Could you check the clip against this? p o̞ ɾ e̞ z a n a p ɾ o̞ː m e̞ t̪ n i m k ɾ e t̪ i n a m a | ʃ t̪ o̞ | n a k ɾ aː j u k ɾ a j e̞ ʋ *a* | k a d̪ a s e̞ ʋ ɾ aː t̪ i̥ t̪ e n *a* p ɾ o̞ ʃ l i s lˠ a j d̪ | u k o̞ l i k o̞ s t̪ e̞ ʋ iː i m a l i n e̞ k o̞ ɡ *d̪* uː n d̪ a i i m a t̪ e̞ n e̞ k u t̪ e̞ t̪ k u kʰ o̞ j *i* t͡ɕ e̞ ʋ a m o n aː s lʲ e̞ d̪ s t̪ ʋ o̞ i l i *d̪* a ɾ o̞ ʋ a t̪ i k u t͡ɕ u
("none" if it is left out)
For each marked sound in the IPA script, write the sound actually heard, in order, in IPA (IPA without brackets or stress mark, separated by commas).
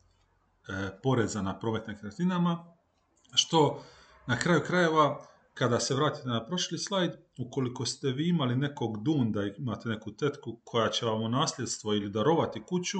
a, a, d̪, a, d̪